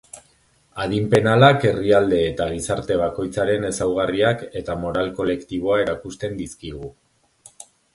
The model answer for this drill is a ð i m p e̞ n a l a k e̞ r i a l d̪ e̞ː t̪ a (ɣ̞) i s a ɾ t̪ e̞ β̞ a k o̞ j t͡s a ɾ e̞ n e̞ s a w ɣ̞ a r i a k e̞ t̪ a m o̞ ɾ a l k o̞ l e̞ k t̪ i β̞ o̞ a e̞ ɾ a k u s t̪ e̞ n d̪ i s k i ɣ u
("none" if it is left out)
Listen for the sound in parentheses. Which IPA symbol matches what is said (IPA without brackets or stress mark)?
ɣ̞